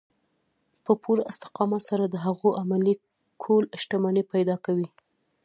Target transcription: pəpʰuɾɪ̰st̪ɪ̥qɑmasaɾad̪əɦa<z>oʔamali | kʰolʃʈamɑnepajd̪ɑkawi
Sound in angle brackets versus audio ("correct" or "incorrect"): incorrect